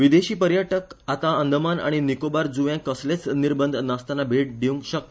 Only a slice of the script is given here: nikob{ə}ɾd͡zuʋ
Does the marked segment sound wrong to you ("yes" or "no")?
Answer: yes